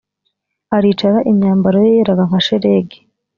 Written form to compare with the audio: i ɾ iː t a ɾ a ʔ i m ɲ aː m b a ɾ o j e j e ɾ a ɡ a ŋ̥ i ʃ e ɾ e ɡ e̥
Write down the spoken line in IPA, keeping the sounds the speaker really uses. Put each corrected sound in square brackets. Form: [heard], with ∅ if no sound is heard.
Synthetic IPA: [a] ɾ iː [t͡ʃ] a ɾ a ʔ i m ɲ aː m b a ɾ o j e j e ɾ a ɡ a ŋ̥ [a] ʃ e ɾ e ɡ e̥